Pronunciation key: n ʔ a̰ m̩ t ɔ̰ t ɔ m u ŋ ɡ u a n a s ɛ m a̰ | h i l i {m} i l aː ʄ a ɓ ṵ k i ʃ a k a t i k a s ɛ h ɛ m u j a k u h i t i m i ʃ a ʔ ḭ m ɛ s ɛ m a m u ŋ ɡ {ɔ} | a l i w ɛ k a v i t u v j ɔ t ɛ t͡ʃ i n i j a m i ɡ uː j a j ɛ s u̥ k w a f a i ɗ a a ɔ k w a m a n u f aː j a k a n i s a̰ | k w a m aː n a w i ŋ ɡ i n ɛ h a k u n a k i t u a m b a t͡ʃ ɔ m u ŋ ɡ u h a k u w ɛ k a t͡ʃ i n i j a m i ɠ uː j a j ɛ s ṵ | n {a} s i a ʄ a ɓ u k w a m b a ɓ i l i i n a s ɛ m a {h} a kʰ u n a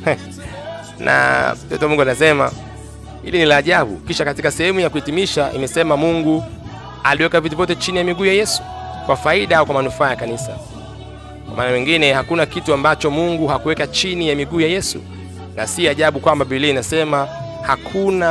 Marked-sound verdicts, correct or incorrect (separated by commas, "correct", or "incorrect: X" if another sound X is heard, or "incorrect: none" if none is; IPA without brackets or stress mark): incorrect: n, incorrect: u, correct, correct